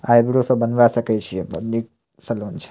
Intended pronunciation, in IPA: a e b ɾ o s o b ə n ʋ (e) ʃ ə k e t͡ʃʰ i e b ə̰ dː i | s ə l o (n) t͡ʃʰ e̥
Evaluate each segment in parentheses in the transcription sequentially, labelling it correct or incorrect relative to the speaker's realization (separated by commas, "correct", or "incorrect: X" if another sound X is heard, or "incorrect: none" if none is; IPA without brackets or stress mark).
incorrect: a, correct